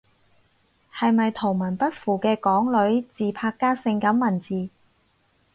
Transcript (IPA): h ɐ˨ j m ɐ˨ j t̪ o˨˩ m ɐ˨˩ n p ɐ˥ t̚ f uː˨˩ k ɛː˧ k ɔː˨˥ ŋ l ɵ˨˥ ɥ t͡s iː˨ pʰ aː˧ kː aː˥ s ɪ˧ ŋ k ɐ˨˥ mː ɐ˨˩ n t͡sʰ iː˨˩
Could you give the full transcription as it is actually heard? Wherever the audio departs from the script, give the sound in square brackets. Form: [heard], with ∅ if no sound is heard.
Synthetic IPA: h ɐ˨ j m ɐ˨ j [t̪ʰ] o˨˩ m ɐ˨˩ n p ɐ˥ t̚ f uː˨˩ k ɛː˧ k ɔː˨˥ ŋ l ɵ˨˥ ɥ t͡s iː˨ pʰ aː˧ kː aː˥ s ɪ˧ ŋ k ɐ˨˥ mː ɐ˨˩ n [t͡s] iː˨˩